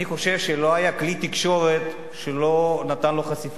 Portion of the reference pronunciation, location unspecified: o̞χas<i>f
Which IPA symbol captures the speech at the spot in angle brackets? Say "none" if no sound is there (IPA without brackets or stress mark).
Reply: i